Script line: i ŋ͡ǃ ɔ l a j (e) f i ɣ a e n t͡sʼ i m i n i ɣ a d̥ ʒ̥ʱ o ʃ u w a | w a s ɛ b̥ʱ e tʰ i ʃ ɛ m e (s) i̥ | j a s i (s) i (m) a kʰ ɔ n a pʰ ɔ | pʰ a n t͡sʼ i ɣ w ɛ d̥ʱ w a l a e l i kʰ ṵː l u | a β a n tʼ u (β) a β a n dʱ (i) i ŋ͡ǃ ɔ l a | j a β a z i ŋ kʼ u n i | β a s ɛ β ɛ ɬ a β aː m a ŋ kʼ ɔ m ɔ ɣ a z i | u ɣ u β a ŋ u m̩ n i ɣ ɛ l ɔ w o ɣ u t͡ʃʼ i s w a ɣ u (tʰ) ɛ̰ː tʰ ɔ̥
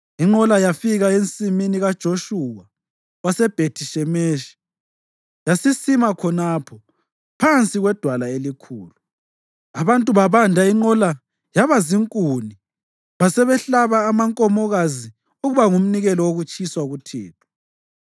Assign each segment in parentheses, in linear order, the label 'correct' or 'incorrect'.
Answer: incorrect, incorrect, correct, correct, correct, incorrect, correct

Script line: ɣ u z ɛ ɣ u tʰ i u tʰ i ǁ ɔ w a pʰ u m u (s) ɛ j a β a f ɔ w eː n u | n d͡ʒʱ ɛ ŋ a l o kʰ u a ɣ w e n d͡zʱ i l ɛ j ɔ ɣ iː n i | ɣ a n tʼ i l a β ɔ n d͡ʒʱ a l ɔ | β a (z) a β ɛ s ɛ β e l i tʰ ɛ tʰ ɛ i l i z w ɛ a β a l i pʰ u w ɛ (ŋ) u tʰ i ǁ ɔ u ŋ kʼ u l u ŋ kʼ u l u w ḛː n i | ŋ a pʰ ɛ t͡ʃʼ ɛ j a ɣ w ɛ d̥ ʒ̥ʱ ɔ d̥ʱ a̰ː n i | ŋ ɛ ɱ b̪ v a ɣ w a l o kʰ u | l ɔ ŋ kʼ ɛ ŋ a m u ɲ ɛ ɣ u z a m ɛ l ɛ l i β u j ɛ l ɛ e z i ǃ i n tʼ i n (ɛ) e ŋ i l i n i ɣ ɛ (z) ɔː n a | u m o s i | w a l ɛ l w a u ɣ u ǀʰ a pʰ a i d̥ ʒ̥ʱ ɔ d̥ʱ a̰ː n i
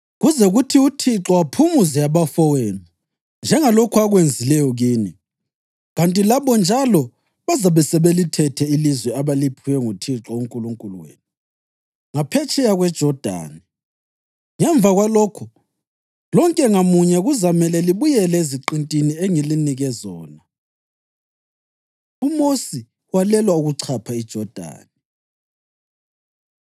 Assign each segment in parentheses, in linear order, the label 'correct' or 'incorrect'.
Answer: incorrect, correct, correct, incorrect, correct

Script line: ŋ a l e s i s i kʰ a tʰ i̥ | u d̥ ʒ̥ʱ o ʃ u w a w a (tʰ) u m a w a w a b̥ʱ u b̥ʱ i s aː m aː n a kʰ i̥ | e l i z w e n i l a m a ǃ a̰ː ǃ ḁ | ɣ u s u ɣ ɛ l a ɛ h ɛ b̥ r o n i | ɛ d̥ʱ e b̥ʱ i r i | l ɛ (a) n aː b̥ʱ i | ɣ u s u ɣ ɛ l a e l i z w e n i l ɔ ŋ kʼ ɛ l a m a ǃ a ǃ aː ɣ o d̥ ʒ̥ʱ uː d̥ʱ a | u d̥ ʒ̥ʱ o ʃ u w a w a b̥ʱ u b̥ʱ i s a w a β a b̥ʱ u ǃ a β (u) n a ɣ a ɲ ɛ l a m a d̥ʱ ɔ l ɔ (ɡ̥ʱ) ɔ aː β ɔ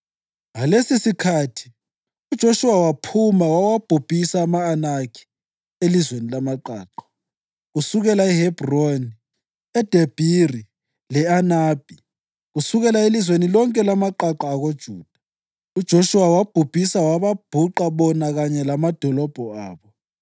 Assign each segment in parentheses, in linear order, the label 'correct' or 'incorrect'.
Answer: incorrect, correct, incorrect, incorrect

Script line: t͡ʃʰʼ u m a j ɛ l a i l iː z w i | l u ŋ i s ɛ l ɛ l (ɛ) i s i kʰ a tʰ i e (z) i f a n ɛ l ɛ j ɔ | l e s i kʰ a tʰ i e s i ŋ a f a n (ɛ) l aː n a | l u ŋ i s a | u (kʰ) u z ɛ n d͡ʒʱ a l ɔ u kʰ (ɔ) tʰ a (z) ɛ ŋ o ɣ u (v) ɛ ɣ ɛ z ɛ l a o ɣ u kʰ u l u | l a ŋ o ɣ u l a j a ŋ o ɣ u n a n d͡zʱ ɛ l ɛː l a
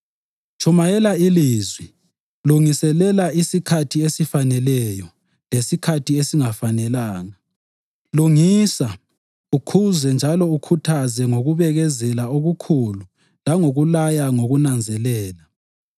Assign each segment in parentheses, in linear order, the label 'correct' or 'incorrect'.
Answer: incorrect, incorrect, correct, correct, incorrect, correct, incorrect

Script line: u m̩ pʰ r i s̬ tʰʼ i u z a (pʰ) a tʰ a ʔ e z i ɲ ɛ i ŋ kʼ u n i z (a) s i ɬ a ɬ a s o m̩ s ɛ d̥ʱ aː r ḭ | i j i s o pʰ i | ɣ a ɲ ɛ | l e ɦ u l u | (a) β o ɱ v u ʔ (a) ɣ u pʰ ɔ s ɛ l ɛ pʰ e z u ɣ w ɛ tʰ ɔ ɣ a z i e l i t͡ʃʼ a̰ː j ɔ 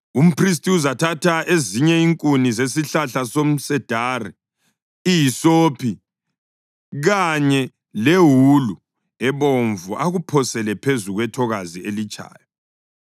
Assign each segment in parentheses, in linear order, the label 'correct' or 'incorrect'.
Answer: incorrect, incorrect, incorrect, correct

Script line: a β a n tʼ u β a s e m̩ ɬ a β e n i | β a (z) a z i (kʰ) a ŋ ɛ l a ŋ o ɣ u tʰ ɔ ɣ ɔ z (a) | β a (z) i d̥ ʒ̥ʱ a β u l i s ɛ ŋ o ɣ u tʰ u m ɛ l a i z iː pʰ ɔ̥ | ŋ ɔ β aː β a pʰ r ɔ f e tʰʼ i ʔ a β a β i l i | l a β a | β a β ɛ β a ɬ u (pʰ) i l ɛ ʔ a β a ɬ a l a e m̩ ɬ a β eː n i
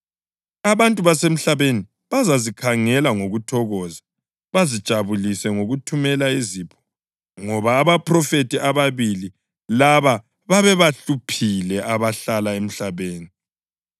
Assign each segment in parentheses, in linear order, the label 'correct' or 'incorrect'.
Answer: correct, correct, correct, correct, correct

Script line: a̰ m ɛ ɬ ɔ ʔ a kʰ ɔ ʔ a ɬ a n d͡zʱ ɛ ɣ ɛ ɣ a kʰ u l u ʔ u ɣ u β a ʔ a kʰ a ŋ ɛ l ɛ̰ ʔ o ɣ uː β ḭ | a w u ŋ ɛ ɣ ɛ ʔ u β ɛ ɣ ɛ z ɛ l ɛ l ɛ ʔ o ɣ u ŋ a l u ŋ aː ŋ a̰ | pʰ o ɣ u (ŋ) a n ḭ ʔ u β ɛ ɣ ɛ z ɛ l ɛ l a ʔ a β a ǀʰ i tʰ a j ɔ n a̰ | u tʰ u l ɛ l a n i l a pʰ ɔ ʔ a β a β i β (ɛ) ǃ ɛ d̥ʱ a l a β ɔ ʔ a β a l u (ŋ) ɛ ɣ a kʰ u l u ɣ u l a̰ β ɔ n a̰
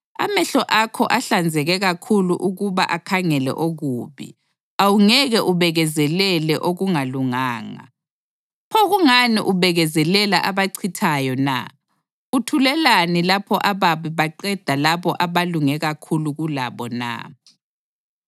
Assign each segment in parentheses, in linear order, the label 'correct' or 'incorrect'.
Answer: correct, incorrect, correct

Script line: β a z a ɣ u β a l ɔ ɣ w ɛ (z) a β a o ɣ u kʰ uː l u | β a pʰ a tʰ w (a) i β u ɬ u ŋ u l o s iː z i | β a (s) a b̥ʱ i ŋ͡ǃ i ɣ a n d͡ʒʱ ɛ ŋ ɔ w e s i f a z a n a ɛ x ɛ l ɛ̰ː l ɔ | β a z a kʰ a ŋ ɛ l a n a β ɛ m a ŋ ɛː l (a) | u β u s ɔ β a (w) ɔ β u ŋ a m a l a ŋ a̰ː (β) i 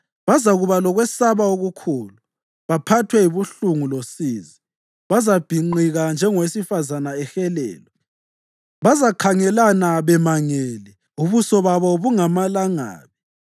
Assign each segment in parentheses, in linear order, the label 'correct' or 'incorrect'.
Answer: incorrect, incorrect, incorrect, incorrect, incorrect, correct

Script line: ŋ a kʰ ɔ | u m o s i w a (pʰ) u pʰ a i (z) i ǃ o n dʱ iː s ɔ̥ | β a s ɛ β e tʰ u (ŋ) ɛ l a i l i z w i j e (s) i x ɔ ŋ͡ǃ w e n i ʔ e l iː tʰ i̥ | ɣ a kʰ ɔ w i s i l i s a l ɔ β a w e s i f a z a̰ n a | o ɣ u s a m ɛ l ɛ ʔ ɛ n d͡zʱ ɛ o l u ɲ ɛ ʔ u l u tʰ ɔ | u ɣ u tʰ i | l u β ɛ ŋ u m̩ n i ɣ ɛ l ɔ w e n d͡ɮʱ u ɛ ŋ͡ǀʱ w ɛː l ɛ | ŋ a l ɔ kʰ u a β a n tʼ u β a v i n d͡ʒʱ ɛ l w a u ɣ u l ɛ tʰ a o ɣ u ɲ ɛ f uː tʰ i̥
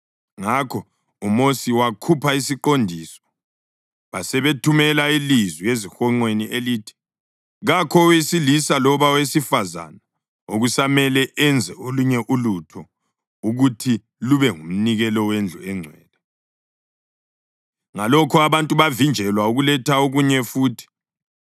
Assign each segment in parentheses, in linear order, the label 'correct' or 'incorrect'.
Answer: incorrect, incorrect, incorrect, incorrect

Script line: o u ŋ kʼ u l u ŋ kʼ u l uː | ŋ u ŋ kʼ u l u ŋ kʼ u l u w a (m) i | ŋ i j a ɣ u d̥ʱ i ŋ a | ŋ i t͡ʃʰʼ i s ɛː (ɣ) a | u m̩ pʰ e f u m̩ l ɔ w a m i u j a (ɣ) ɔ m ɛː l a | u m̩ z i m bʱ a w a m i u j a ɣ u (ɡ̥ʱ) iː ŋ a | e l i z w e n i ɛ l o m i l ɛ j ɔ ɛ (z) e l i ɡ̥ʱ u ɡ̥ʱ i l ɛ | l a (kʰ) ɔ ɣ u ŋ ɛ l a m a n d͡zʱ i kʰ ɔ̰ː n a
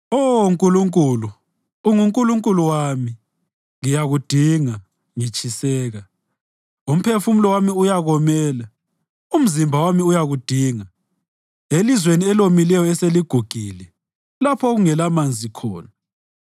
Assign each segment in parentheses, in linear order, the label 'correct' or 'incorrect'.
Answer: correct, correct, correct, incorrect, incorrect, incorrect

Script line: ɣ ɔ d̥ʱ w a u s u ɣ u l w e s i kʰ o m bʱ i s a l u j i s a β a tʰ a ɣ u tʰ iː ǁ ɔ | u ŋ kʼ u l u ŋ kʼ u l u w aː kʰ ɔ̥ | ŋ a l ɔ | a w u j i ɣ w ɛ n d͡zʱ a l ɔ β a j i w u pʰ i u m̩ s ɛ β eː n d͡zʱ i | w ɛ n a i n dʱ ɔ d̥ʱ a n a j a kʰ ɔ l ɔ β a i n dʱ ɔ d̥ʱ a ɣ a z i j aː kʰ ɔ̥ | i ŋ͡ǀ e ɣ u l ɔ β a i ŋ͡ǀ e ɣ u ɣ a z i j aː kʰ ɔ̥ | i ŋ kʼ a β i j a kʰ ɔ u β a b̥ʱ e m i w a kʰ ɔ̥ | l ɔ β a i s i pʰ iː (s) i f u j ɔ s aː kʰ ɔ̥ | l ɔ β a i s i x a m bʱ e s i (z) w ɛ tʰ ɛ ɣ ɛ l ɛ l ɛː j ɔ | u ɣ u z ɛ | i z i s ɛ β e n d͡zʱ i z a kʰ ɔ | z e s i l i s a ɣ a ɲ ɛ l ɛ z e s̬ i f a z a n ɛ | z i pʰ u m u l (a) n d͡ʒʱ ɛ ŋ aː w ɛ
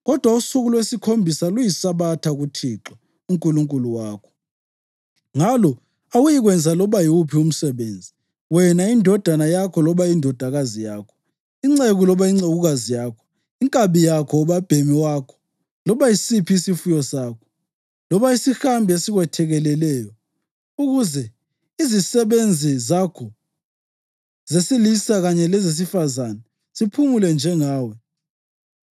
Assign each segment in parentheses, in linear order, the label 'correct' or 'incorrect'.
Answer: correct, incorrect, incorrect

